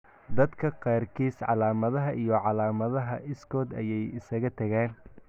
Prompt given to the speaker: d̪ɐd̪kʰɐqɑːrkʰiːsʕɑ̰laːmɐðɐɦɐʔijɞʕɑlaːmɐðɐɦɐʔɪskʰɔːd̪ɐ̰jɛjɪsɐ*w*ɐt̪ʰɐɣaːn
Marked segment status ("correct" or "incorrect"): incorrect